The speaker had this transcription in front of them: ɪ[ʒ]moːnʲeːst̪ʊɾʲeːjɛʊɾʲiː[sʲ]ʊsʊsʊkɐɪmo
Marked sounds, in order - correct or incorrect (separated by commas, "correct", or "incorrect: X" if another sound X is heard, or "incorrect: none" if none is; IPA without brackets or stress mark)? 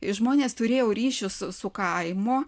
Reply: correct, incorrect: ʃʲ